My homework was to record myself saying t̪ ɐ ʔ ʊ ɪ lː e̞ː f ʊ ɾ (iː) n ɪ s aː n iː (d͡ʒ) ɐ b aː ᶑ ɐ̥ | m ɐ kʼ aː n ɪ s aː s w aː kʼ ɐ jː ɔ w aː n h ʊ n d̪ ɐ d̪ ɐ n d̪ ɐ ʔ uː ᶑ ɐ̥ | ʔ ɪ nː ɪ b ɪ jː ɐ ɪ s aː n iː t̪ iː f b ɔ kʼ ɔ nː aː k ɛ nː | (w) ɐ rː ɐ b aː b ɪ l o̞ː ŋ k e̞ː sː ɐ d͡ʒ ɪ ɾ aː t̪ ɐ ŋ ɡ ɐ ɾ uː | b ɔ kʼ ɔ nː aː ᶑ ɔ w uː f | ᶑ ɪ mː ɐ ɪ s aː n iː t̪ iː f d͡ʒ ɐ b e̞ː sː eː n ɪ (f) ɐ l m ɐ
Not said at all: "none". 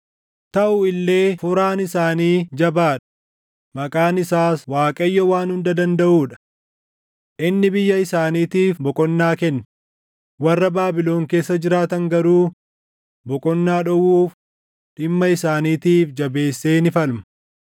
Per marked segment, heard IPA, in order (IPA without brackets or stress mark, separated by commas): aː, d͡ʒ, w, f